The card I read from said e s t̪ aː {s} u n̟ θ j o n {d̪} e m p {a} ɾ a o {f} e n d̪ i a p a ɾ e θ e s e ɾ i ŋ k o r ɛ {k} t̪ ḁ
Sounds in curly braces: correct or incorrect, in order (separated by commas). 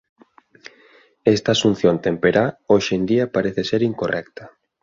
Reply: correct, incorrect, incorrect, incorrect, correct